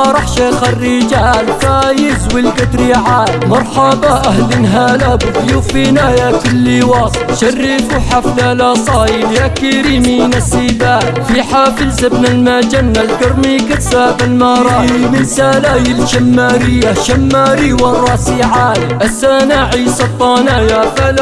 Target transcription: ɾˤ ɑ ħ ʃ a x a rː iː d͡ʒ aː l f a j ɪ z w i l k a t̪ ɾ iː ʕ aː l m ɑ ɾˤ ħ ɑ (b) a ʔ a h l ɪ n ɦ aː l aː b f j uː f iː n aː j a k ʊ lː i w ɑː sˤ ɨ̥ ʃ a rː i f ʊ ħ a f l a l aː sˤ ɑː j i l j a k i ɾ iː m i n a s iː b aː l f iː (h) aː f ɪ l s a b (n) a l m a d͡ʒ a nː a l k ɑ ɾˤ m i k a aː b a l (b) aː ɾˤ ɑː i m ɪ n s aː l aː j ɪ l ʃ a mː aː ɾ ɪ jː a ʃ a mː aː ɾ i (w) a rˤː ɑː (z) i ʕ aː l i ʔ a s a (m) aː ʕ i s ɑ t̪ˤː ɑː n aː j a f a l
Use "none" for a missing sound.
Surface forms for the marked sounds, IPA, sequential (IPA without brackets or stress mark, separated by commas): b, ħ, n, m, w, s, n